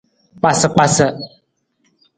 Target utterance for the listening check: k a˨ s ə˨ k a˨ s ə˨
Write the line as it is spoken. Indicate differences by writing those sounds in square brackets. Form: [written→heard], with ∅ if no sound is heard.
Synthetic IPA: [k→k͡p] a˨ s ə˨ [k→k͡p] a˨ s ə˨